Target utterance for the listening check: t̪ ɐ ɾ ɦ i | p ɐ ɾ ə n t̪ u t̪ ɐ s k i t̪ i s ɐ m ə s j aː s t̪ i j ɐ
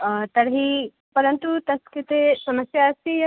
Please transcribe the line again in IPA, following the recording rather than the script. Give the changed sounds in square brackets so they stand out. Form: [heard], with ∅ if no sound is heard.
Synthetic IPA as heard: t̪ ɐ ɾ ɦ i | p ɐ ɾ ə n t̪ u t̪ ɐ s k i t̪ [e] s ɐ m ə s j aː s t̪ i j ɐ